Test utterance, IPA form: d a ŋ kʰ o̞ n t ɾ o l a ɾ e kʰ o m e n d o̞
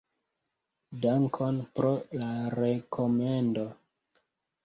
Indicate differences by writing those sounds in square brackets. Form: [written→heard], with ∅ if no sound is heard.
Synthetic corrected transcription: d a ŋ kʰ o̞ n [t→p] ɾ o l a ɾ e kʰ o m e n d o̞